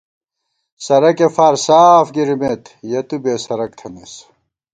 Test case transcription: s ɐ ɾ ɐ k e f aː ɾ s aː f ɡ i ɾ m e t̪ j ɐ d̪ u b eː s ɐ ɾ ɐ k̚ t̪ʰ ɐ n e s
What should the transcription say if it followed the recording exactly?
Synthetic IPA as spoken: s ɐ ɾ ɐ k e f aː ɾ s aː f ɡ i ɾ m e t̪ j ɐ t̪ u b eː s ɐ ɾ ɐ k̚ t̪ʰ ɐ n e s